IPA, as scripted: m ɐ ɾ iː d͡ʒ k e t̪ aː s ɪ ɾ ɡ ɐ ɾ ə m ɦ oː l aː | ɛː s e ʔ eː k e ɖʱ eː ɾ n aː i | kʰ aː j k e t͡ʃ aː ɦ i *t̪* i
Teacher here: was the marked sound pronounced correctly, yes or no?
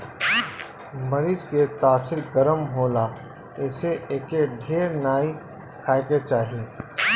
no